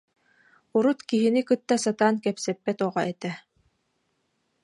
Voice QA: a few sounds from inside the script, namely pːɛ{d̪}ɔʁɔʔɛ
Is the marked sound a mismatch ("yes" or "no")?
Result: yes